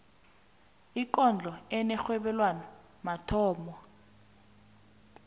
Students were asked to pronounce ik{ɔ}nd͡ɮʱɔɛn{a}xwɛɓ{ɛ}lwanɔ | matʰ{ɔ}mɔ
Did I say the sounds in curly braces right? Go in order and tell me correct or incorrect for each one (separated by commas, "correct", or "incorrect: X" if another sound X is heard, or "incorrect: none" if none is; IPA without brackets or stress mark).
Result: correct, incorrect: ɛ, correct, incorrect: ɔː